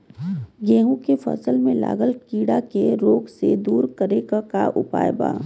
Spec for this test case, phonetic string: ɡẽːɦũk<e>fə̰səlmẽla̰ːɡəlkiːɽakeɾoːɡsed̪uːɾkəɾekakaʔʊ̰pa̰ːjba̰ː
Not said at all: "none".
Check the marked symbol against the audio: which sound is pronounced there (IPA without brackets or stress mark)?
e